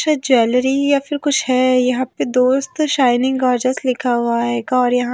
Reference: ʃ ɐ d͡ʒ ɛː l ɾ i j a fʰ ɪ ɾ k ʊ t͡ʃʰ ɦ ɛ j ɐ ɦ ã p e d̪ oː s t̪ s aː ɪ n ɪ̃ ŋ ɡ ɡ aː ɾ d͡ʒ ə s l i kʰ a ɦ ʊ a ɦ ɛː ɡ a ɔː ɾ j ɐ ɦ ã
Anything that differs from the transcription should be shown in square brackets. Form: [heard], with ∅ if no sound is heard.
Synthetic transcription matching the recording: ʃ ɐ d͡ʒ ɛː l ɾ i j a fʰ ɪ ɾ k ʊ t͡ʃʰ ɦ ɛ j ɐ ɦ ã p e d̪ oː s t̪ [ʃ] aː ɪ n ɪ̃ ŋ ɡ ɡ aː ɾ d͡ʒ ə s l [ɪ] kʰ a ɦ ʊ a ɦ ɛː ɡ a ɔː ɾ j ɐ ɦ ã